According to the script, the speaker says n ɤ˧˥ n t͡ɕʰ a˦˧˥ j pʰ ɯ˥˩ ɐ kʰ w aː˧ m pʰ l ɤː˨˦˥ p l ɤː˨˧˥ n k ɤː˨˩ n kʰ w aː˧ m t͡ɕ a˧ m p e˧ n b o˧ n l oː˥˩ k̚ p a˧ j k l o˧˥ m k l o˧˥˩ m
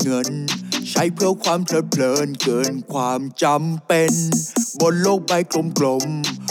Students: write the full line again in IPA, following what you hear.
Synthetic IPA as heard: ŋ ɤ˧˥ n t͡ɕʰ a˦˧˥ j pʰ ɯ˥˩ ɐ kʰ w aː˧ m pʰ l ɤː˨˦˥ pʰ l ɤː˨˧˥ n k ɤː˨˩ n kʰ w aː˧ m t͡ɕ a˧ m p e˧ n b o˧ n l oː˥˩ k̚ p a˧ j k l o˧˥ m k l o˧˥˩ m